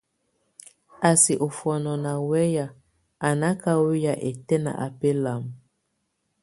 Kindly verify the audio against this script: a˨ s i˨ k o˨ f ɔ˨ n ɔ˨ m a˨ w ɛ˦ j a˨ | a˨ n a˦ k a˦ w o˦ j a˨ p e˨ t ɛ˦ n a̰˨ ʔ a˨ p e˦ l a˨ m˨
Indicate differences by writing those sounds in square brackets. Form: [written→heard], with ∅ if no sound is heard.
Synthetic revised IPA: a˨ s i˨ [k→ʔ] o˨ f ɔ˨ n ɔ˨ [m→n] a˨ w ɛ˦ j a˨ | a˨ n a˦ k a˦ w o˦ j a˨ [p→ʔ] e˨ t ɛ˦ n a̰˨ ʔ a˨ p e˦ l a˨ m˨